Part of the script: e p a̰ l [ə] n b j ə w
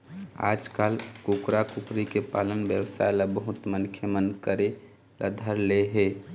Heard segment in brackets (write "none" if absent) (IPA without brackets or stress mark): ə